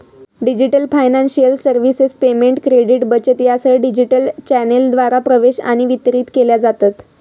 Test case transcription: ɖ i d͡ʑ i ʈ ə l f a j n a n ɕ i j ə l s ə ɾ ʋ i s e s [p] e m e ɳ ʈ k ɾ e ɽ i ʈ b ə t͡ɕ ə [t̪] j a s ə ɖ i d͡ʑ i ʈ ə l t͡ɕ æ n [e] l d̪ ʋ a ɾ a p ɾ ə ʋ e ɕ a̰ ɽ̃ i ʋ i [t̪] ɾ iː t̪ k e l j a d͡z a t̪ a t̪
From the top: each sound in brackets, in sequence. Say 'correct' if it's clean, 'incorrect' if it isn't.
correct, correct, correct, correct

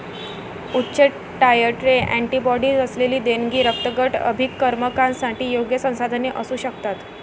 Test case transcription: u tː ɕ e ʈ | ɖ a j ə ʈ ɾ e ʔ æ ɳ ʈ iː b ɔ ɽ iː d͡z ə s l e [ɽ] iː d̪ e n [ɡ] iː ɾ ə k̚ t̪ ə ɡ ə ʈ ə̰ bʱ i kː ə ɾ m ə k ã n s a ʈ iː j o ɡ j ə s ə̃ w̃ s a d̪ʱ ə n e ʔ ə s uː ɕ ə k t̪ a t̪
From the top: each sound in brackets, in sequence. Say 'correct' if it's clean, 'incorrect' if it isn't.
incorrect: l, correct

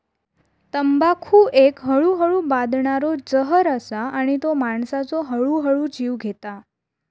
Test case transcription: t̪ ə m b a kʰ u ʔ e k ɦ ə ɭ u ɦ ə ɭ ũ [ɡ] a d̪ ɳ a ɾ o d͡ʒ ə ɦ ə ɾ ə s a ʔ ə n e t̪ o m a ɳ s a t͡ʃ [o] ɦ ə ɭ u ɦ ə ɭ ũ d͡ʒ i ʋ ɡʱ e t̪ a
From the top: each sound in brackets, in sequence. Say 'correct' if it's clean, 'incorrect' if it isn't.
incorrect: b, correct

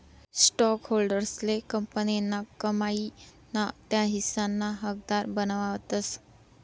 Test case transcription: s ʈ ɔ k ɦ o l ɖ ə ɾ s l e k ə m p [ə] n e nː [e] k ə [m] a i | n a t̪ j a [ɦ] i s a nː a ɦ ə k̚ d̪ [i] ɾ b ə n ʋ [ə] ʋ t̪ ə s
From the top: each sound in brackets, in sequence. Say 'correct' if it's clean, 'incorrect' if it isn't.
correct, incorrect: a, correct, correct, incorrect: a, incorrect: a

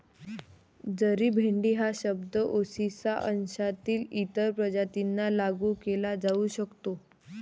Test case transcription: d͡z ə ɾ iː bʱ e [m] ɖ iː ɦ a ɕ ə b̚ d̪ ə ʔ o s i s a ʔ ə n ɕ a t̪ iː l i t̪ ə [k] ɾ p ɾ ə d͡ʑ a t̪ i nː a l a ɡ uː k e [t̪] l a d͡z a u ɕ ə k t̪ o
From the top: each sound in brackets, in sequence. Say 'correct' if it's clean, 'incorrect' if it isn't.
incorrect: ɳ, incorrect: none, incorrect: none

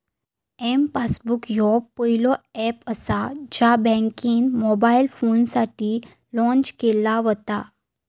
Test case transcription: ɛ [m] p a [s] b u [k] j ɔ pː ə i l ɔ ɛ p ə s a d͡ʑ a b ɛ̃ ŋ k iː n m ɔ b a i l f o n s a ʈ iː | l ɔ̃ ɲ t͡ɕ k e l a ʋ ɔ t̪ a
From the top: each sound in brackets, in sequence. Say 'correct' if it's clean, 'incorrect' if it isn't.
correct, correct, correct

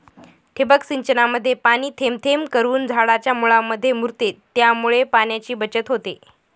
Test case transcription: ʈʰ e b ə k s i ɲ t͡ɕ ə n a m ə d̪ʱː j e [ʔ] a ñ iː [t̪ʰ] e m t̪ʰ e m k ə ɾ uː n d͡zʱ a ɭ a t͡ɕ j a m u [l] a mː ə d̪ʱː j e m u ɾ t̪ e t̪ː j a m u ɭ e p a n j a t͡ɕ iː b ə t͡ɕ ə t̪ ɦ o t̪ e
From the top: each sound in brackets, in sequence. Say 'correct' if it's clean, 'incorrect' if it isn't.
incorrect: p, correct, incorrect: ɭ

